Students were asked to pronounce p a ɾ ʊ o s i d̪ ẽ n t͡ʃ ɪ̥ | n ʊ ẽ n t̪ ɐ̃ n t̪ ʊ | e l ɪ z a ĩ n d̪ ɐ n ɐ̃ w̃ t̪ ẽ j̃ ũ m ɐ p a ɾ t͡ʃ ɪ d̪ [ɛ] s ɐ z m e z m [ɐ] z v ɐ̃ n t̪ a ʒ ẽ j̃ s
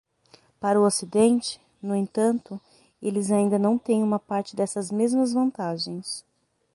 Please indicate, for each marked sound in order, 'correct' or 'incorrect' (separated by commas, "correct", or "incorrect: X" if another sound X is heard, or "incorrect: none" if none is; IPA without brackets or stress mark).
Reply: correct, correct